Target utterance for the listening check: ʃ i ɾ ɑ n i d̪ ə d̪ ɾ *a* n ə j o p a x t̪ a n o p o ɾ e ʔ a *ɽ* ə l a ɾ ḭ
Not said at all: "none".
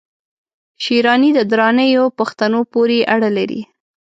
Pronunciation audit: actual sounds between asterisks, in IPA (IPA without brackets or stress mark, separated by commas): ɑ, ɽ